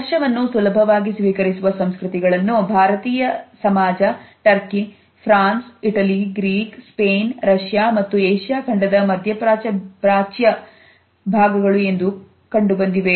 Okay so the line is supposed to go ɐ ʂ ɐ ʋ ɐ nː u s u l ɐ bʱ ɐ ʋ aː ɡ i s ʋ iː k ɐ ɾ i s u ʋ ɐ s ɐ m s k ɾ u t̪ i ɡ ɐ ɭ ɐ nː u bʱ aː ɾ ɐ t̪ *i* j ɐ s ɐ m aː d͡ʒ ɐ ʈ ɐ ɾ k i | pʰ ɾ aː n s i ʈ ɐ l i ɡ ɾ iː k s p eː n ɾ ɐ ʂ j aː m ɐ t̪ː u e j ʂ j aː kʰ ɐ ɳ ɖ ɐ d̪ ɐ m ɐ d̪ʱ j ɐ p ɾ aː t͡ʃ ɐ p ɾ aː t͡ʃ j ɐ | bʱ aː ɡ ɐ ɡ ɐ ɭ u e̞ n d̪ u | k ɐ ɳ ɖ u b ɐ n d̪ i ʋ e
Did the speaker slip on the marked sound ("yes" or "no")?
yes